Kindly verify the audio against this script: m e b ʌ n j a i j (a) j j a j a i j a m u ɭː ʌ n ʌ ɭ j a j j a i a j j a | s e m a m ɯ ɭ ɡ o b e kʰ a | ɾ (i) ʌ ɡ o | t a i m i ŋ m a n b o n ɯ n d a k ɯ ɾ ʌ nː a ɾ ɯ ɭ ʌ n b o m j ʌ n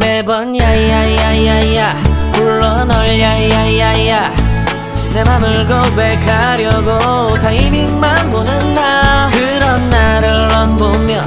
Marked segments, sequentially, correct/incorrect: correct, incorrect

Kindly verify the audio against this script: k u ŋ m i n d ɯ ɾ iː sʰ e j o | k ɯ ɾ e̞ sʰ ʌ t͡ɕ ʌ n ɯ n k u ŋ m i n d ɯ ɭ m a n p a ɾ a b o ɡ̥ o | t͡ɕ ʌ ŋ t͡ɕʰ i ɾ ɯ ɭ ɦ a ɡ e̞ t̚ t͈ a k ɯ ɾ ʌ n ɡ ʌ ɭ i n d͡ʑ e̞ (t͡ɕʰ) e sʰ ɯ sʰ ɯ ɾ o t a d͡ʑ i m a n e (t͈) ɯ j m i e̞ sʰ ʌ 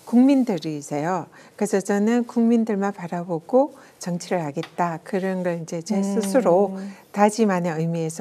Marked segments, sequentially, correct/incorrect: incorrect, incorrect

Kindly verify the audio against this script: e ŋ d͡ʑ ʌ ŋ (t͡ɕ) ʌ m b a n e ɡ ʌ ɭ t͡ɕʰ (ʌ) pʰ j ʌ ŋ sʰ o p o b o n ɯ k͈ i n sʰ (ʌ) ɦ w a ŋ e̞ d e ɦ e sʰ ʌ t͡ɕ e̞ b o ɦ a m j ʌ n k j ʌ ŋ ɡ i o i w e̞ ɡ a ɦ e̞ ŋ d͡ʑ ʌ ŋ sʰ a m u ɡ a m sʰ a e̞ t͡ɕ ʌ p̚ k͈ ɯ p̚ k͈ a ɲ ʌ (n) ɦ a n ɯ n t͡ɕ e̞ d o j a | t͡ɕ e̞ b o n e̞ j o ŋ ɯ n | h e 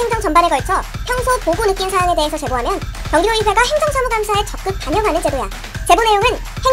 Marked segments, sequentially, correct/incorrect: correct, correct, incorrect, incorrect

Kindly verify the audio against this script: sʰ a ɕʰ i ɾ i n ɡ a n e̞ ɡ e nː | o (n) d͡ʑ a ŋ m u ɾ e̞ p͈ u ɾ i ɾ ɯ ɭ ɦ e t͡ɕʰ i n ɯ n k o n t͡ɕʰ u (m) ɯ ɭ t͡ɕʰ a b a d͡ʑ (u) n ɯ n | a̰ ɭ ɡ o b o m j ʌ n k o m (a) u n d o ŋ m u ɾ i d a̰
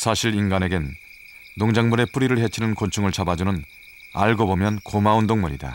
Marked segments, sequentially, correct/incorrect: incorrect, incorrect, correct, correct

